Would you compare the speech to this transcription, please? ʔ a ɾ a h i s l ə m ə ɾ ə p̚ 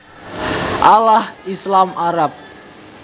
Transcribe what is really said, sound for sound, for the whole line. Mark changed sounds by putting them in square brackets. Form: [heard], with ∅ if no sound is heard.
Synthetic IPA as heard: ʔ a [l] a h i s l [a] m [a] ɾ [a] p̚